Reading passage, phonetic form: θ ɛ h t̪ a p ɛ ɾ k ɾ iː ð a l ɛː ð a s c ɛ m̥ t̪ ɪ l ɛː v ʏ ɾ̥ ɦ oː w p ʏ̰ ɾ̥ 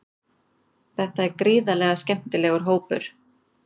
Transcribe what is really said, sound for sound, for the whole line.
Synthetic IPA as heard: θ ɛ h t̪ a ɛ ɾ k ɾ iː ð a l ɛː ɣ a s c ɛ m̥ t̪ ɪ l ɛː ɣ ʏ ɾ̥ ɦ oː w p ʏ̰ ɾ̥